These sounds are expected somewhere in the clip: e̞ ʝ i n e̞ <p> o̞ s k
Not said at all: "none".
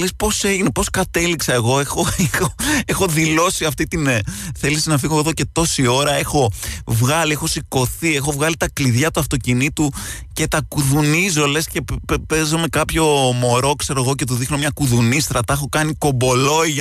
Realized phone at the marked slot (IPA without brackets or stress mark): p